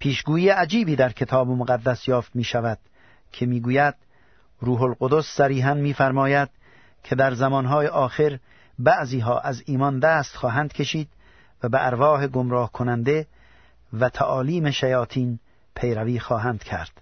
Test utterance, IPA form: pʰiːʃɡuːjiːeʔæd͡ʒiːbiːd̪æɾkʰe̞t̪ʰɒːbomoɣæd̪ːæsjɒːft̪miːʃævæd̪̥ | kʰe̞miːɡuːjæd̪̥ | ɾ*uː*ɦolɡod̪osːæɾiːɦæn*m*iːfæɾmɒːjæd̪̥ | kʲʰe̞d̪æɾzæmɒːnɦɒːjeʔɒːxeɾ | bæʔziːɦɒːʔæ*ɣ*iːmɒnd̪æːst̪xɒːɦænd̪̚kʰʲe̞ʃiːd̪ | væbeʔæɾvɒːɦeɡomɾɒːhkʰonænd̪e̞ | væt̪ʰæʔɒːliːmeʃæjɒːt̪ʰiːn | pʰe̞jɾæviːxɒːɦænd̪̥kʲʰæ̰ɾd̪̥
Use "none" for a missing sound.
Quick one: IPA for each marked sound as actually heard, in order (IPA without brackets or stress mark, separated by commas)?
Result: uː, m, z